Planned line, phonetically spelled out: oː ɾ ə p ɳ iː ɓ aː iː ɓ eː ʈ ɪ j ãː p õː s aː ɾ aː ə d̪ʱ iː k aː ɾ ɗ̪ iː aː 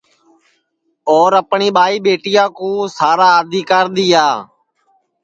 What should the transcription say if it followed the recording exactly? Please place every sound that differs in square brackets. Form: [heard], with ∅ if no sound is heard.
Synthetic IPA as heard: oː ɾ ə p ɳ iː ɓ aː iː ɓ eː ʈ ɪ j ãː [k] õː s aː ɾ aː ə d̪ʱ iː k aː ɾ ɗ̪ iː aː

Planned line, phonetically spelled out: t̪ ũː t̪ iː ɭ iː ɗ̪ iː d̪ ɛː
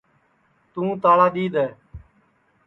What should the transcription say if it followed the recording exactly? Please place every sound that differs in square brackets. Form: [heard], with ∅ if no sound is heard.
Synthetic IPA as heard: t̪ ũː t̪ [aː] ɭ [aː] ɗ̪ iː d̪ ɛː

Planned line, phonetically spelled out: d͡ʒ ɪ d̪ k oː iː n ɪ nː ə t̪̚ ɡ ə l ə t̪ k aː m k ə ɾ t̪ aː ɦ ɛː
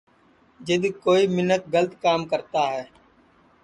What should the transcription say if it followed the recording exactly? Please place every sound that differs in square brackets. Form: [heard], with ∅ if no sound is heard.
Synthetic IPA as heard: d͡ʒ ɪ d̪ k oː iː [m] ɪ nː ə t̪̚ ɡ ə l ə t̪ k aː m k ə ɾ t̪ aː ɦ ɛː

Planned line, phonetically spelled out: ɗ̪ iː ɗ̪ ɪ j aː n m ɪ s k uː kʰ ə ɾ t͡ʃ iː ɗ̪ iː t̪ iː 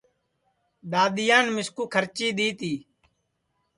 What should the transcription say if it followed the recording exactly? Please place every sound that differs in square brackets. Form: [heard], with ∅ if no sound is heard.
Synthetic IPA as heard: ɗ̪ [aː] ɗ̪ ɪ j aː n m ɪ s k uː kʰ ə ɾ t͡ʃ iː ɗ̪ iː t̪ iː

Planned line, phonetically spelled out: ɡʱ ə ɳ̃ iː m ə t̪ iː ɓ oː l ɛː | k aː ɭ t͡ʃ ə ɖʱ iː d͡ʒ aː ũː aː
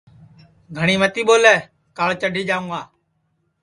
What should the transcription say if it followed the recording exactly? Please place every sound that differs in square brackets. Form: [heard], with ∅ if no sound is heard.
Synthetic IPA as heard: ɡʱ ə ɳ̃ iː m ə t̪ iː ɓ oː l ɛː | k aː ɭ t͡ʃ ə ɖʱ iː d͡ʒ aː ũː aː

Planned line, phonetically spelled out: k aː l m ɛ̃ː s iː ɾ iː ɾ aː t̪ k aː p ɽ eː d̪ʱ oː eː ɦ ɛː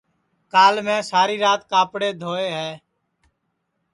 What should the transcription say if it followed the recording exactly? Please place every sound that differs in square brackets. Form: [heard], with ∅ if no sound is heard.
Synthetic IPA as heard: k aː l m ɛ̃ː s [aː] ɾ iː ɾ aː t̪ k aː p ɽ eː d̪ʱ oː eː ɦ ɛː

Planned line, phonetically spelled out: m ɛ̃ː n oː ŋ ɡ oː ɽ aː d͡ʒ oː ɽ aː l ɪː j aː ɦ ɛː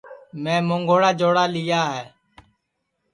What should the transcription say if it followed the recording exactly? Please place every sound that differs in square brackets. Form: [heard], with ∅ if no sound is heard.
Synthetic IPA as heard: m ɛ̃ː [m] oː ŋ ɡ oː ɽ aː d͡ʒ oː ɽ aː l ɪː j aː ɦ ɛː

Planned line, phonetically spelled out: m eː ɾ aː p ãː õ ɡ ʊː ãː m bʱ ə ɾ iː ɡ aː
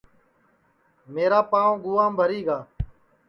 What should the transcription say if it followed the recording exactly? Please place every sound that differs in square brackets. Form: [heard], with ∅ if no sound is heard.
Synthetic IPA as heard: m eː ɾ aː p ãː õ ɡ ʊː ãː m bʱ ə ɾ iː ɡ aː

